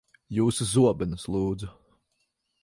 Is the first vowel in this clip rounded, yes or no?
yes